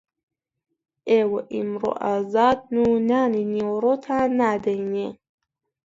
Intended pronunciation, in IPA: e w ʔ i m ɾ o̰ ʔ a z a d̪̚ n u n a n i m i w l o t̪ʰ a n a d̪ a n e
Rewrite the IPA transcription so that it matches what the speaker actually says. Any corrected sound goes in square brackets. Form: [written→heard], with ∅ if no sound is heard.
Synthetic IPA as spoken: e w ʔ i m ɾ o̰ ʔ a z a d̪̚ n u n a n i [m→n] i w [l→ɾ] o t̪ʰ a n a d̪ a n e